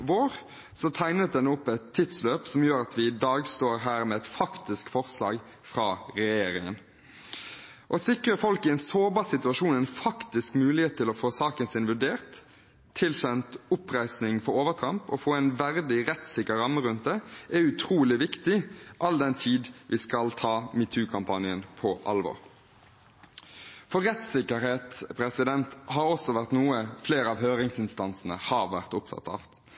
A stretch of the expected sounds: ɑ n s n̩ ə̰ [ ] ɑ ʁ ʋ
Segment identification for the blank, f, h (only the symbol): h